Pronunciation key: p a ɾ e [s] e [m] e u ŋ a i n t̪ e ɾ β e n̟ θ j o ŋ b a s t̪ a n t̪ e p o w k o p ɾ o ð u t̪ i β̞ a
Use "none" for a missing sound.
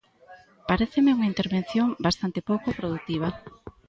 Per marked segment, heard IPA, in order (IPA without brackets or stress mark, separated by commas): θ, m